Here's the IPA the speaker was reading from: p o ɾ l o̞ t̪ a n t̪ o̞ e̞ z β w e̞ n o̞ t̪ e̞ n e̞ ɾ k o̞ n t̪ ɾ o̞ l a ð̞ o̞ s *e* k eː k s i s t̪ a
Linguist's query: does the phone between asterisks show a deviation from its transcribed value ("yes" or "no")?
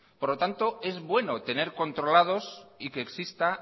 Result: yes